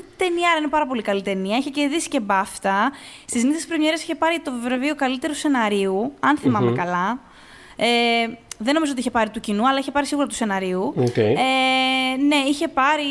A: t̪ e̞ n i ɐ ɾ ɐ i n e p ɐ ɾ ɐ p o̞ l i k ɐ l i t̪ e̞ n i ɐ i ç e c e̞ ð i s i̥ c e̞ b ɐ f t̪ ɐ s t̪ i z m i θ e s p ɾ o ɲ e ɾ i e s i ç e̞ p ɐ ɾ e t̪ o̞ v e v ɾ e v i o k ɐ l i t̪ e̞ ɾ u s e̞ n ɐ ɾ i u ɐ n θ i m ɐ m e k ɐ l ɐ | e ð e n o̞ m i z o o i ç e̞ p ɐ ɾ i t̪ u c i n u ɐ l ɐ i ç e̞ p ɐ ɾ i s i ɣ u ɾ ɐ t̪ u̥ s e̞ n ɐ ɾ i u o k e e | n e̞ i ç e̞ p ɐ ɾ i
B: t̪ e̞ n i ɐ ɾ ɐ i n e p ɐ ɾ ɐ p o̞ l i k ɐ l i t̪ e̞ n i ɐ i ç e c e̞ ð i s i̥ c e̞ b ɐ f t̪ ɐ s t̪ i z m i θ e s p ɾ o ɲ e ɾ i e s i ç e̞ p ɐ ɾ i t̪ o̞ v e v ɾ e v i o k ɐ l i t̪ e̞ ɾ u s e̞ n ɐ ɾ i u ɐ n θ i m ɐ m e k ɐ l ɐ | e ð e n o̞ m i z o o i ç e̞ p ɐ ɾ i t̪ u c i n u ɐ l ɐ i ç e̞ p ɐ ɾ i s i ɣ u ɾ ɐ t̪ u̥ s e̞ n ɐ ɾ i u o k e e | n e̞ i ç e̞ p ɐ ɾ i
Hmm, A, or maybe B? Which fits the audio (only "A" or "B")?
B